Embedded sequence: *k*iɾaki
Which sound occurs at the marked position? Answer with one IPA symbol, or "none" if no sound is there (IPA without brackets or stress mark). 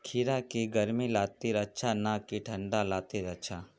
kʰ